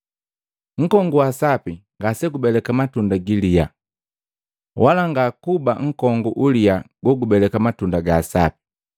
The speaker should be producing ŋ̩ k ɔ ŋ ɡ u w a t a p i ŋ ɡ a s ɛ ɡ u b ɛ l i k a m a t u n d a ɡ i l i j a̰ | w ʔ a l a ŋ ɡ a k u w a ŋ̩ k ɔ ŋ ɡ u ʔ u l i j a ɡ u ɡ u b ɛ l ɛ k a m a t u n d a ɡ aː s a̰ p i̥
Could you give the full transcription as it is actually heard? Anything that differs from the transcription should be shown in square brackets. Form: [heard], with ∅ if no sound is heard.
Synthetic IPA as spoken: ŋ̩ k ɔ ŋ ɡ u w a [s] a p i ŋ ɡ a s ɛ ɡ u b ɛ l [ɛ] k a m a t u n d a ɡ i l i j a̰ | w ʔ a l a ŋ ɡ a k u [b] a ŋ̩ k ɔ ŋ ɡ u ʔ u l i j a ɡ [ɔ] ɡ u b ɛ l ɛ k a m a t u n d a ɡ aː s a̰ p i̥